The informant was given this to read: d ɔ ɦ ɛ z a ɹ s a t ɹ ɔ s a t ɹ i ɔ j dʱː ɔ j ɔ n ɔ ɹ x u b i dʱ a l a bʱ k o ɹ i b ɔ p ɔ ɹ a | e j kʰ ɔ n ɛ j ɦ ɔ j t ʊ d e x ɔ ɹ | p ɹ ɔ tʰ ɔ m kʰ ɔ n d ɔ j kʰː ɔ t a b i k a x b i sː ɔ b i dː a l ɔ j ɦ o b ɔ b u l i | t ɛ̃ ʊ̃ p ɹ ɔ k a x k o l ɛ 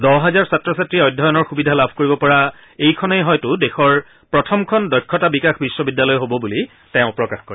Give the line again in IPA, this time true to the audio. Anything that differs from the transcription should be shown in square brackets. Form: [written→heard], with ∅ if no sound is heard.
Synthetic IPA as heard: d ɔ ɦ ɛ z a ɹ s a t ɹ ɔ s a t ɹ i ɔ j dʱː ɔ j ɔ n ɔ ɹ x u b i dʱ a l a bʱ k o ɹ i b ɔ p ɔ ɹ a | e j kʰ ɔ n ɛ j ɦ ɔ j t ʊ d e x ɔ ɹ | p ɹ ɔ tʰ ɔ m kʰ ɔ n d ɔ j kʰː ɔ t a b i k a x b i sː ɔ b i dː a l ɔ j ɦ o b ɔ b u l i | t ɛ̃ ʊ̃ p ɹ ɔ k a x k o [l→ɹ] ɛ